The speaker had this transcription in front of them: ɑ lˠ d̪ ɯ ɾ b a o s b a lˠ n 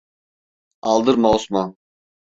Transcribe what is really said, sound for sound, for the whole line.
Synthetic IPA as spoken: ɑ lˠ d̪ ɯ ɾ m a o s m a n